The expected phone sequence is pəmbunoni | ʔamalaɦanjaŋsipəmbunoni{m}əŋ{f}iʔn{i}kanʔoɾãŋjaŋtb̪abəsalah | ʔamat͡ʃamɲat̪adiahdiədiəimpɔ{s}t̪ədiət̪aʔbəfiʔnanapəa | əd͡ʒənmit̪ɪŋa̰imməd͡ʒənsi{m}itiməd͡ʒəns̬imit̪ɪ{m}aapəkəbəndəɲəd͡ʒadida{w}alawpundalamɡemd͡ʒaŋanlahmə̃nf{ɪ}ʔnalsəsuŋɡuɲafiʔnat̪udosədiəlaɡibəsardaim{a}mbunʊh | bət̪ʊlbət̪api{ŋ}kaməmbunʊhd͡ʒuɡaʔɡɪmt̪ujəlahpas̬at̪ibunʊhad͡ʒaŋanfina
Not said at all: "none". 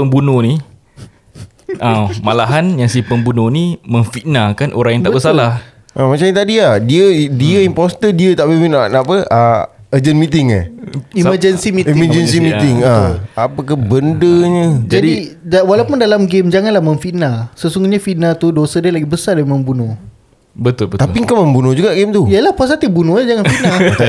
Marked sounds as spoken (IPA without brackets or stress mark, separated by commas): m, f, a, s, m, ŋ, w, i, ə, ŋ